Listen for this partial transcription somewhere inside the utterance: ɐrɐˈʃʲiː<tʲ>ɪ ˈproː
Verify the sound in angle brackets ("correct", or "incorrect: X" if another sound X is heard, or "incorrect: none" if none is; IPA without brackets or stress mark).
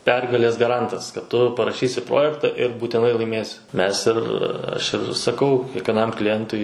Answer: incorrect: sʲ